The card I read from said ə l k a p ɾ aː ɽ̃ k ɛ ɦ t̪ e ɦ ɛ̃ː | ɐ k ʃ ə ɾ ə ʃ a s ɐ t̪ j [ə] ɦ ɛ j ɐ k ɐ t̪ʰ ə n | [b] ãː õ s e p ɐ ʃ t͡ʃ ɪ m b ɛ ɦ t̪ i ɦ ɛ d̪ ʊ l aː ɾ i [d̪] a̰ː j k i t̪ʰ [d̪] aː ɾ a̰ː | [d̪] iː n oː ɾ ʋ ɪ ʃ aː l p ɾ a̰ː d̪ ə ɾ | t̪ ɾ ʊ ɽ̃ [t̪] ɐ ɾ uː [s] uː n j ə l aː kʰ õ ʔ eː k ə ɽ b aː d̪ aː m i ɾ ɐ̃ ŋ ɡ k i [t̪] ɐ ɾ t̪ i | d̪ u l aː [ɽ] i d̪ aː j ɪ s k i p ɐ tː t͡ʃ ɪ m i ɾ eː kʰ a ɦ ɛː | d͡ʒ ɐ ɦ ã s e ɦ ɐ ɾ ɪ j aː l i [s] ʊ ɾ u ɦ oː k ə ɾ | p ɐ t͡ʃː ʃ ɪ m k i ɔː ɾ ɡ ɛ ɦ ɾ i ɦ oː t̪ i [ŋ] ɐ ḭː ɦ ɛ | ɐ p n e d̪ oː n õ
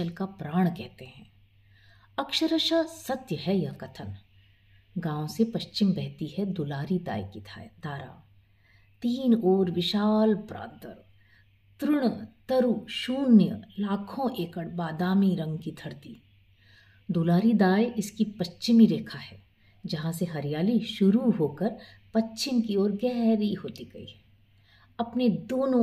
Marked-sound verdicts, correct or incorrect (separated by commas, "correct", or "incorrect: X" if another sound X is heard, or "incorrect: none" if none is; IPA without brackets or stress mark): correct, incorrect: ɡ, correct, correct, incorrect: t̪, correct, incorrect: ʃ, incorrect: t̪ʰ, incorrect: ɾ, incorrect: ʃ, incorrect: ɡ